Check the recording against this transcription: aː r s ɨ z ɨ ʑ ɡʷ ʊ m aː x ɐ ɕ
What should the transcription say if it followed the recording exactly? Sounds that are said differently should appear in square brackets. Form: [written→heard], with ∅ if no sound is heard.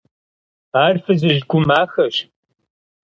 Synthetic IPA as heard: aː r [s→f] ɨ z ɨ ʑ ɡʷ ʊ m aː x ɐ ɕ